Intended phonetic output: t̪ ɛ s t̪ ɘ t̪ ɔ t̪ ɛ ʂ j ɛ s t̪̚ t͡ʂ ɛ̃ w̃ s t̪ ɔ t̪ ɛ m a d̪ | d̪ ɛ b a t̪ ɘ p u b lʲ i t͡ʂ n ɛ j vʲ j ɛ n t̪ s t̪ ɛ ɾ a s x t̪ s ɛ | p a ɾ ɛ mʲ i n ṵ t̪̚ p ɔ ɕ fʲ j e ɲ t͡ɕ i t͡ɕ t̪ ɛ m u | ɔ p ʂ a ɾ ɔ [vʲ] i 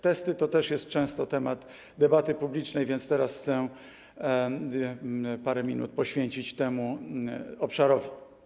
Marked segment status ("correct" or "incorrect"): correct